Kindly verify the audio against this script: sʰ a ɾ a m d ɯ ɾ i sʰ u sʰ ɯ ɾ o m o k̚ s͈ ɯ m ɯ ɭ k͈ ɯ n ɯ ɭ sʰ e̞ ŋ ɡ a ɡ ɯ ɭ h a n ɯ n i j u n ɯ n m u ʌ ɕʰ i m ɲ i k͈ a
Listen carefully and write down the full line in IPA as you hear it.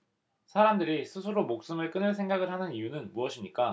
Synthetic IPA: sʰ a ɾ a m d ɯ ɾ i sʰ ɯ sʰ ɯ ɾ o m o k̚ s͈ ɯ m ɯ ɭ k͈ ɯ n ɯ ɭ sʰ e̞ ŋ ɡ a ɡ ɯ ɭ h a n ɯ n i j u n ɯ n m u ʌ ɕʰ i m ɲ i k͈ a